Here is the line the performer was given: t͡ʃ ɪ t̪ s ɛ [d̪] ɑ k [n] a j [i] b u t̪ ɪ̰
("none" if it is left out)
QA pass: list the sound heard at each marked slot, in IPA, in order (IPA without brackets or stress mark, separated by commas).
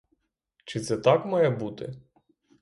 t̪, m, ɛ